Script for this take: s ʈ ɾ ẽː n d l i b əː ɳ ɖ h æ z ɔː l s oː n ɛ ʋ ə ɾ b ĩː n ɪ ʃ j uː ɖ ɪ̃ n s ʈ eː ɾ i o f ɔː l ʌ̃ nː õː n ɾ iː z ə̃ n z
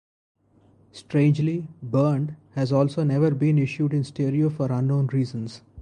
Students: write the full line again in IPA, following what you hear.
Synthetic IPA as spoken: s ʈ ɾ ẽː n d͡ʒ l i b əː ɳ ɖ h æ z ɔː l s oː n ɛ ʋ ə ɾ b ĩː n ɪ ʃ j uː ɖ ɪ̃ n s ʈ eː ɾ i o f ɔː ɾ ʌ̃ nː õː n ɾ iː z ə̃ n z